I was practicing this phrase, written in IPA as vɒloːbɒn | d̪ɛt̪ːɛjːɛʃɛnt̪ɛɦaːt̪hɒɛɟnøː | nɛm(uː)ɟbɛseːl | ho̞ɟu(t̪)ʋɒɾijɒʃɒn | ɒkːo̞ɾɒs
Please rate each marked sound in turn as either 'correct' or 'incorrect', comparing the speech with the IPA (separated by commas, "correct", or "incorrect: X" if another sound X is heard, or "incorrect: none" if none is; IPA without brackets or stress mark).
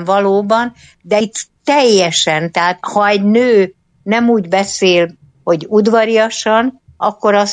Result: correct, incorrect: d̪